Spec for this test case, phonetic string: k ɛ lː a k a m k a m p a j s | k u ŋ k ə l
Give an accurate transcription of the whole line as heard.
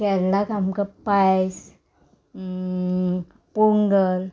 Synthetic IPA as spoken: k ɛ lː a k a m k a p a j s | p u ŋ ɡ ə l